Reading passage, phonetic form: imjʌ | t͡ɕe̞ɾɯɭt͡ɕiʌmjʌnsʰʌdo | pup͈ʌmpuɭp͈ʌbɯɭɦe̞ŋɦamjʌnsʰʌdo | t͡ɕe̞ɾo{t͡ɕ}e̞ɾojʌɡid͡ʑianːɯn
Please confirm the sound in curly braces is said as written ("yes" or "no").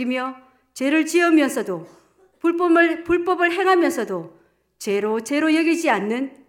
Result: yes